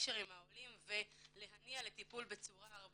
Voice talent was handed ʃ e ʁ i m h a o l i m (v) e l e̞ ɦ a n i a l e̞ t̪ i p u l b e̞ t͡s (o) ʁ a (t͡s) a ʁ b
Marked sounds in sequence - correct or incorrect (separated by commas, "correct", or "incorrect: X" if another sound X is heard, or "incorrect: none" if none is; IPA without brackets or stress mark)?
correct, incorrect: u, incorrect: none